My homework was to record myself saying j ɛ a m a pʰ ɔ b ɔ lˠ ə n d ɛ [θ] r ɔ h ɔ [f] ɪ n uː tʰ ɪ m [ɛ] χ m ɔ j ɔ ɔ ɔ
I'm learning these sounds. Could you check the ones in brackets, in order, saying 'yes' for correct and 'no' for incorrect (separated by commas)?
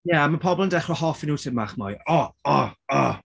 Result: no, yes, no